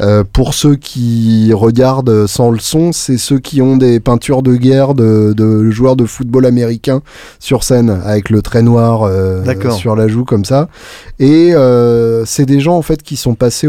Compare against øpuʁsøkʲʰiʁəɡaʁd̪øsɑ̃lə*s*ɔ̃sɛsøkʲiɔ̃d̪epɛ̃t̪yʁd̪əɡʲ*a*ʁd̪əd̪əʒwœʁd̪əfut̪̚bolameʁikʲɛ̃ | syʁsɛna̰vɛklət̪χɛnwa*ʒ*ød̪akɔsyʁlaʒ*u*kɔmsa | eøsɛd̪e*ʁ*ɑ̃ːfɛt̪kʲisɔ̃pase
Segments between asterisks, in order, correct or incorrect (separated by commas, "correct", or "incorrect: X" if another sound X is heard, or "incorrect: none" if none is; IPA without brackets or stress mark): correct, incorrect: ɛ, incorrect: ʁ, correct, incorrect: ʒ